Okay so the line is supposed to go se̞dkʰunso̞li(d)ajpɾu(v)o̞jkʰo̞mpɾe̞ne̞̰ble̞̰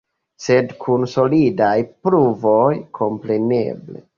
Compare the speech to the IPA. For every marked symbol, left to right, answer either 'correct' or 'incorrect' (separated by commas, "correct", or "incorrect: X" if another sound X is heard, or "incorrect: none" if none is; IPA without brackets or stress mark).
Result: correct, correct